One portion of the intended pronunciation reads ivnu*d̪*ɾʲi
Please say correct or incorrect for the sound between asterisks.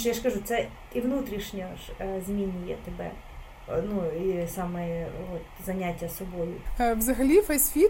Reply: incorrect